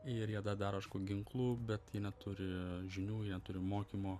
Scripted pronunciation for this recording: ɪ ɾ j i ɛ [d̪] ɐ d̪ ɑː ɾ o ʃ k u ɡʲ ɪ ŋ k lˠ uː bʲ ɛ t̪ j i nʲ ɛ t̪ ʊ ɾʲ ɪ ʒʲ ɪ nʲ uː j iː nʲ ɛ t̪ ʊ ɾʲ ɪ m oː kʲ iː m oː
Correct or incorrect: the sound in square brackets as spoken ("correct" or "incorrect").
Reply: correct